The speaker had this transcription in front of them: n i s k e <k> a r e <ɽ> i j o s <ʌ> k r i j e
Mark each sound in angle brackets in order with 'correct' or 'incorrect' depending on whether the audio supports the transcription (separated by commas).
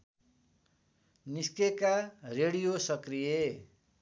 correct, correct, correct